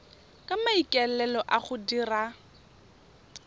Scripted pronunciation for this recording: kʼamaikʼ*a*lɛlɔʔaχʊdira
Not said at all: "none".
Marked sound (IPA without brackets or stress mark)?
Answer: ɛ